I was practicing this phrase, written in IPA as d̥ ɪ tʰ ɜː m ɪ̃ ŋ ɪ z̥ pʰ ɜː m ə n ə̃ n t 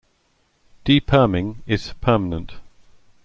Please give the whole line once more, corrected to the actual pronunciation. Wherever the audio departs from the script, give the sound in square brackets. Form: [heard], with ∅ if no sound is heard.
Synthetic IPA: d̥ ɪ [pʰ] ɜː m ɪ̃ ŋ ɪ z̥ pʰ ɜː m ə n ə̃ n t